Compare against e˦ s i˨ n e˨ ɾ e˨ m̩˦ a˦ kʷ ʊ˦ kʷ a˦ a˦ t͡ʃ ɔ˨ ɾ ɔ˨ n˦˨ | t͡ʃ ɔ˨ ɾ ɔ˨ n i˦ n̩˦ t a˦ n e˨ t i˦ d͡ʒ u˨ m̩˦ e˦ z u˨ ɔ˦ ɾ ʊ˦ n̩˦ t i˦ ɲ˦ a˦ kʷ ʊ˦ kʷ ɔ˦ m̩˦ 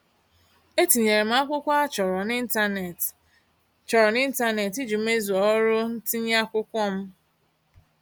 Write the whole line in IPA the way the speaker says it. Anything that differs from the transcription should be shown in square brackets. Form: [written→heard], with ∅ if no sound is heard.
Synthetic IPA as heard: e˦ [s→t] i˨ [n→ɲ] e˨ ɾ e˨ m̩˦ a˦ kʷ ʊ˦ kʷ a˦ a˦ t͡ʃ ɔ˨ ɾ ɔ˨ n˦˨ | t͡ʃ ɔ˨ ɾ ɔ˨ n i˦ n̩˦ t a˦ n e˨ t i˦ d͡ʒ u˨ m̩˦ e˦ z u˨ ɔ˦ ɾ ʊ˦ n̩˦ t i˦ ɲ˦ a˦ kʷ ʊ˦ kʷ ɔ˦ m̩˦